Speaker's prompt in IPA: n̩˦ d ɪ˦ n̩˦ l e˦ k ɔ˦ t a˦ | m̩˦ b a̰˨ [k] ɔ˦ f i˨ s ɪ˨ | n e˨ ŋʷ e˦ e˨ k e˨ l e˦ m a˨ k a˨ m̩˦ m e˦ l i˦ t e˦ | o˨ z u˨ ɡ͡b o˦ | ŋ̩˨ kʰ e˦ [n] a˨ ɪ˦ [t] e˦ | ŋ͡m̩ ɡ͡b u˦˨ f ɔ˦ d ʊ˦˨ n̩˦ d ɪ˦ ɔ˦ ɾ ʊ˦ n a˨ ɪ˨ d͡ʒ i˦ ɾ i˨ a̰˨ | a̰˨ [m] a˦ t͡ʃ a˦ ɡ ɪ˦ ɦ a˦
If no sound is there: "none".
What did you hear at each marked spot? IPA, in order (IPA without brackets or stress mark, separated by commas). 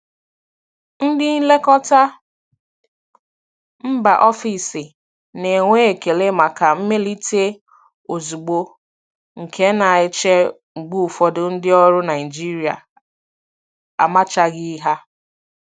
ʔ, n, t͡ʃ, m